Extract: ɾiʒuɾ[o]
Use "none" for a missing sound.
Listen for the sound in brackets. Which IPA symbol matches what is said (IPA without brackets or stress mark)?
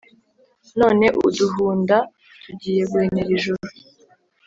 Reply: u